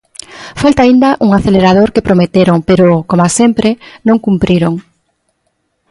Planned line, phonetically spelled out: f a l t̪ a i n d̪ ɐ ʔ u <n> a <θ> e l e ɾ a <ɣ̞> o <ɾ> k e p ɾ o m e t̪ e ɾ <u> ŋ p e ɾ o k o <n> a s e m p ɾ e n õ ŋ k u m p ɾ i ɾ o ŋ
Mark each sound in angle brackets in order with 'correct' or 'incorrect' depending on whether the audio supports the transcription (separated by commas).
incorrect, correct, incorrect, correct, incorrect, incorrect